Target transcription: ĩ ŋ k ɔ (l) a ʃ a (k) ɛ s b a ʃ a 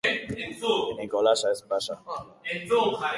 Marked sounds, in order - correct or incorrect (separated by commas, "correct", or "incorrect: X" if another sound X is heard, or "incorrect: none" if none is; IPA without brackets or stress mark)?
correct, incorrect: none